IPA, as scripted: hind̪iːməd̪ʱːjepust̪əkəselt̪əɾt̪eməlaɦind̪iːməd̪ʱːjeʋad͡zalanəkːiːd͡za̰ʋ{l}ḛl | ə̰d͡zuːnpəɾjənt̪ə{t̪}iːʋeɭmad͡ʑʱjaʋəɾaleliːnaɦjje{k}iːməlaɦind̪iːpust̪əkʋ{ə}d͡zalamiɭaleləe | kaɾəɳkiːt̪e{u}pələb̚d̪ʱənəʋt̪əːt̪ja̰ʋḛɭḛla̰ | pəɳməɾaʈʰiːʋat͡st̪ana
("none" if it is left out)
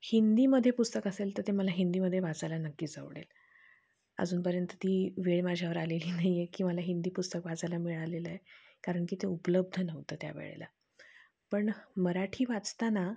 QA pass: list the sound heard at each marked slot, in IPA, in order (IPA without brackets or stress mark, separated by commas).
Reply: ɽ, t̪, k, a, u